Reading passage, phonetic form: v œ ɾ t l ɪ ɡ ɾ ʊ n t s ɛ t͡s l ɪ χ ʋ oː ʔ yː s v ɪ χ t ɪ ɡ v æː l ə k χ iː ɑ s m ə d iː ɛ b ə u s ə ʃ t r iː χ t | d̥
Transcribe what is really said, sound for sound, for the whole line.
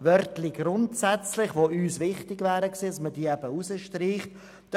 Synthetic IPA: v œ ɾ t l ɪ ɡ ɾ ʊ n t s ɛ t͡s l ɪ χ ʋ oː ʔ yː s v ɪ χ t ɪ ɡ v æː ɾ ə k s iː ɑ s m ə d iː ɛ b ə u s ə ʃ t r iː χ t | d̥